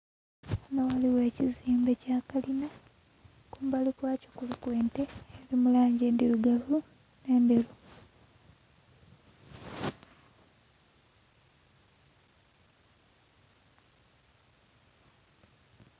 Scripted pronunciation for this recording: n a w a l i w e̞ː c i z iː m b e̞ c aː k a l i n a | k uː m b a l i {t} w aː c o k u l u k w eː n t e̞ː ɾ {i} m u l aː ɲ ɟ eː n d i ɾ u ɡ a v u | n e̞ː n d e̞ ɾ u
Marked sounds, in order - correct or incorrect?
incorrect, correct

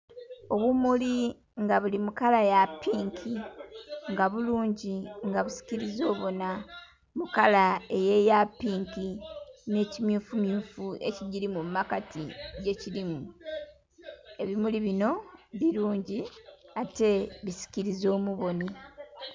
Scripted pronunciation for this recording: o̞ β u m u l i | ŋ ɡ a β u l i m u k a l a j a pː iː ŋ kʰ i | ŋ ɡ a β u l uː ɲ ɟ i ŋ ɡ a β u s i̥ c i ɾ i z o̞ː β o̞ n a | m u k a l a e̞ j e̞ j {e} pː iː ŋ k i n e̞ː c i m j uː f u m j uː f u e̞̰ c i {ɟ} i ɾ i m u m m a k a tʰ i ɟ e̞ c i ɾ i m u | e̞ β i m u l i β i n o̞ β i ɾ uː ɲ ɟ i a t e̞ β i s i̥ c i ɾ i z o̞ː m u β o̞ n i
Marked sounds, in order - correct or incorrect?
incorrect, correct

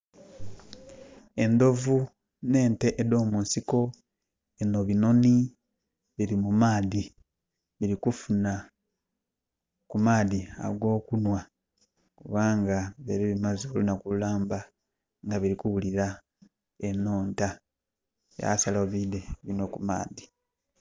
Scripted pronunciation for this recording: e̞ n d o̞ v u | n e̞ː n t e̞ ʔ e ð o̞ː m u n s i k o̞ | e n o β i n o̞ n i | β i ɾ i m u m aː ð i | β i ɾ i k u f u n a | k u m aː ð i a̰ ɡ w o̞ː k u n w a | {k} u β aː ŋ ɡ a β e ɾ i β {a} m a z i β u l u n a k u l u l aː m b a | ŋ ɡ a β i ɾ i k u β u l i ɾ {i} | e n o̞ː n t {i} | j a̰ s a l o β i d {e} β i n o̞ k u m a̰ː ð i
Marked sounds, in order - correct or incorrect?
correct, incorrect, incorrect, incorrect, correct

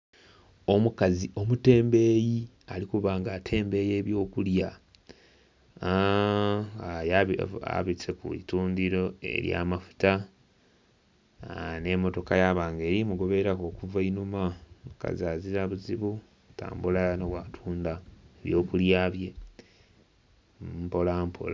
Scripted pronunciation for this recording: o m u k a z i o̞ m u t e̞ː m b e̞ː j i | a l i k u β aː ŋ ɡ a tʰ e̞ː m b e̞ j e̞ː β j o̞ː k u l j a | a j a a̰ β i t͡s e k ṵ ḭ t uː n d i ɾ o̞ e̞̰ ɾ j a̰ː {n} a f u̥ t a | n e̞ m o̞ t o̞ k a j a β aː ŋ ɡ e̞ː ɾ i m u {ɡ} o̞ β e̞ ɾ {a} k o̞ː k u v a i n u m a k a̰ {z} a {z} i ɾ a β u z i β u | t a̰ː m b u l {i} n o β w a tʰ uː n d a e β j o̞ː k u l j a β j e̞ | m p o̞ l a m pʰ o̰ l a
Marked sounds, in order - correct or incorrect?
incorrect, correct, correct, correct, correct, incorrect

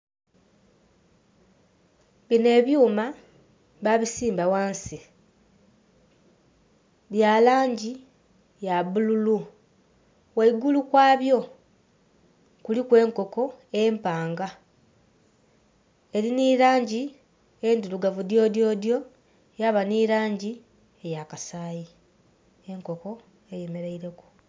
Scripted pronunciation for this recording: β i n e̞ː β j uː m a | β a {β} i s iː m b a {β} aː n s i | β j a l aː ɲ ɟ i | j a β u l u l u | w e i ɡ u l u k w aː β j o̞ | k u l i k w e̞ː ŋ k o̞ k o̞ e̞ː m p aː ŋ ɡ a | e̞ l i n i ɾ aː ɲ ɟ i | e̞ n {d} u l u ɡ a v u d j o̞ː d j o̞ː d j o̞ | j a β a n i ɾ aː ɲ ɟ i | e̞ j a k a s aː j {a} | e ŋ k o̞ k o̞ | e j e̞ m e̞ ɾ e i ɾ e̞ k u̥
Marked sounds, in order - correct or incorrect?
correct, incorrect, correct, incorrect

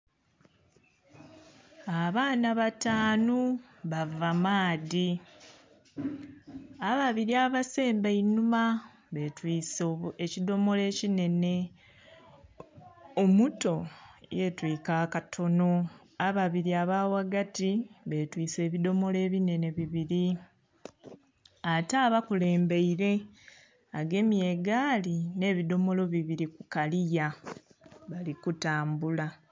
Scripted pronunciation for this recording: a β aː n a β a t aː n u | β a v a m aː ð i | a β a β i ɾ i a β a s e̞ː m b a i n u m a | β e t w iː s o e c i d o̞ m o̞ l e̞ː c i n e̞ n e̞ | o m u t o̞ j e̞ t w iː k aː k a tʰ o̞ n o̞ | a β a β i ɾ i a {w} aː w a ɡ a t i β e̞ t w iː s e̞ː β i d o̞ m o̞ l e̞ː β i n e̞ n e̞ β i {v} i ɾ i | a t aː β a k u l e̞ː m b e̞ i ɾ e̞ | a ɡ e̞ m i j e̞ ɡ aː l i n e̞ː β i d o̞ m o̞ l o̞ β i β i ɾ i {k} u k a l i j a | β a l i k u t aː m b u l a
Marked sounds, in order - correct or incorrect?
incorrect, incorrect, correct

